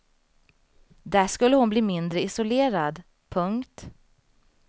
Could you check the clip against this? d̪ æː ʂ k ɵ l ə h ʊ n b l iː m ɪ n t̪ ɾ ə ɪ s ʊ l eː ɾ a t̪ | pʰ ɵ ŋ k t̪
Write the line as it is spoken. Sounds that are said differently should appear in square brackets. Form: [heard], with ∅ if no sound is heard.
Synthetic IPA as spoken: d̪ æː ʂ k ɵ [lː] ə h ʊ n b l iː m ɪ n [d̪] ɾ ə ɪ s ʊ l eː ɾ a [d̪] | pʰ ɵ ŋ k t̪

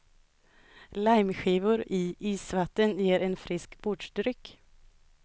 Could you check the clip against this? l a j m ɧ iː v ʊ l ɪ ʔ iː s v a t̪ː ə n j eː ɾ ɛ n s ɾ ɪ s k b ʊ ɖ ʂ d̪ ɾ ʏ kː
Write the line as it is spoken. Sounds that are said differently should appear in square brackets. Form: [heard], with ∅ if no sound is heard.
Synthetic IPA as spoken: l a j m ɧ iː v ʊ [ɾ] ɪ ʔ iː s v a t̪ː ə n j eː ɾ ɛ n [f] ɾ ɪ s k b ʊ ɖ ʂ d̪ ɾ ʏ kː

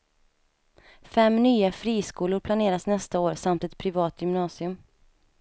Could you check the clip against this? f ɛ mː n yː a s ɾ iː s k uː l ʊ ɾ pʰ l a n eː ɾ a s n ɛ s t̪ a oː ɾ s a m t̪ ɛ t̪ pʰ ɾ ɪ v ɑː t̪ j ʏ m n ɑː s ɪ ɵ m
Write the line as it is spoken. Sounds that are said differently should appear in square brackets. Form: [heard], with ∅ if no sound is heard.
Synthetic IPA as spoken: f ɛ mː n yː a [f] ɾ iː s k uː l ʊ ɾ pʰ l a n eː ɾ a s n ɛ s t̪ a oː ɾ s a m t̪ ɛ t̪ pʰ ɾ ɪ v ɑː t̪ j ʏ m n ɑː s ɪ ɵ m

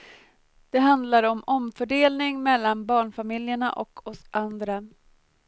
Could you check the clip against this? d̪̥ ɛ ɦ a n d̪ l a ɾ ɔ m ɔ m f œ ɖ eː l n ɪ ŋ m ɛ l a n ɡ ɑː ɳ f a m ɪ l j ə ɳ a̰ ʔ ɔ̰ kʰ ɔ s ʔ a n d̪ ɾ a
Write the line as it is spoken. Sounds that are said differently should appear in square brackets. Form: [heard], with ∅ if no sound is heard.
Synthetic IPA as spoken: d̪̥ ɛ ɦ a n d̪ l a ɾ ɔ m ɔ m f œ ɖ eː l n ɪ ŋ m ɛ [lː] a n [b] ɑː ɳ f a m ɪ l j ə ɳ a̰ ʔ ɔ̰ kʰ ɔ s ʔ a n d̪ ɾ a

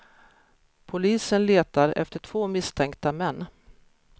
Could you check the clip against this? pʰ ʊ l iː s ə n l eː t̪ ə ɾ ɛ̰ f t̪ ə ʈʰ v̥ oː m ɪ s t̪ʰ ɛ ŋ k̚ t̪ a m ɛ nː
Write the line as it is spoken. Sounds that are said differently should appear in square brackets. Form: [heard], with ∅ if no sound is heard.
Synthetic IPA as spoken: pʰ ʊ l iː s ə n l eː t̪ [a] ɾ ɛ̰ f t̪ ə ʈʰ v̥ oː m ɪ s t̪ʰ ɛ ŋ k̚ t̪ a m ɛ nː

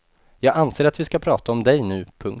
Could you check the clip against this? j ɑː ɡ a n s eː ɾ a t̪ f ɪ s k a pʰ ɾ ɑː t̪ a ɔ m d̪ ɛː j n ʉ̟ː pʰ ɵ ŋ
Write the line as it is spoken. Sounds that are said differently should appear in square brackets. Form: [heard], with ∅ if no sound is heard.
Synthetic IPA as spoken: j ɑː ɡ a n s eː ɾ a t̪ [v] ɪ s k a pʰ ɾ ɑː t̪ a ɔ m d̪ [ɛ] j n ʉ̟ː pʰ ɵ ŋ

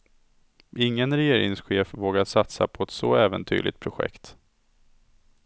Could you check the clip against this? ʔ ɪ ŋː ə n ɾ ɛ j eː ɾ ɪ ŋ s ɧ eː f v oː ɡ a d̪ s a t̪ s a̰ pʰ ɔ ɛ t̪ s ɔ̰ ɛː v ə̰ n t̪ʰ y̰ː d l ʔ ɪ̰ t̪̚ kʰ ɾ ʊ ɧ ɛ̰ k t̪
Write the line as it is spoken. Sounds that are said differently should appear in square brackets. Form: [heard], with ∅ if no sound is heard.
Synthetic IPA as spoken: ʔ ɪ ŋː ə n ɾ ɛ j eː ɾ ɪ ŋ s ɧ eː f v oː ɡ a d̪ s a t̪ s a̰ pʰ ɔ ɛ t̪ s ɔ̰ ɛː v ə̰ n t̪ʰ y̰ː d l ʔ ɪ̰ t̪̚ [pʰ] ɾ ʊ ɧ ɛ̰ k t̪

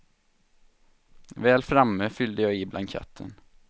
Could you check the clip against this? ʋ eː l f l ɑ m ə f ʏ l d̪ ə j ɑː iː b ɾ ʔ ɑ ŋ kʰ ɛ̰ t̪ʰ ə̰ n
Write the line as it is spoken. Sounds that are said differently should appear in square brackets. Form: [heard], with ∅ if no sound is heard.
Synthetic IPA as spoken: ʋ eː l f [ɾ] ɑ m ə f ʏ l d̪ ə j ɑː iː b [l] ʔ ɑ ŋ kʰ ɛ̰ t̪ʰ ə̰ n

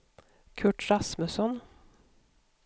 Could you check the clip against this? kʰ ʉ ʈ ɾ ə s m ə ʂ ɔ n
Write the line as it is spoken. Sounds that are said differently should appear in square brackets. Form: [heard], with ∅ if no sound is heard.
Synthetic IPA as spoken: kʰ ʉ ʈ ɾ [ɑ] s m ə [s] ɔ n

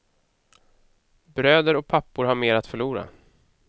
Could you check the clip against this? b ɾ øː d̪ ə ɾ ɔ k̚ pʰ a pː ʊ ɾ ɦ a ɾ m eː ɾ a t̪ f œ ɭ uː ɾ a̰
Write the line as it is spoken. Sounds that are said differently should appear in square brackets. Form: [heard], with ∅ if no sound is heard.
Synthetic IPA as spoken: b ɾ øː d̪ ə ɾ ɔ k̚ pʰ a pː ʊ ɾ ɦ a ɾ m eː ɾ a t̪ f œ ɭ uː ɾ a̰

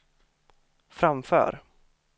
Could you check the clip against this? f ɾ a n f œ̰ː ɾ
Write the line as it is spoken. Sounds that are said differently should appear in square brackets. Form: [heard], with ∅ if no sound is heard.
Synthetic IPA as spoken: f ɾ a [m] f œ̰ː ɾ

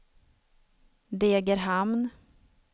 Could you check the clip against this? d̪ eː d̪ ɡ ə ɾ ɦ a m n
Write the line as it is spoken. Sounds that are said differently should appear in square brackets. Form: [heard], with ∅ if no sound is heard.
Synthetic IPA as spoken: d̪ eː [∅] ɡ ə ɾ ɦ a m n

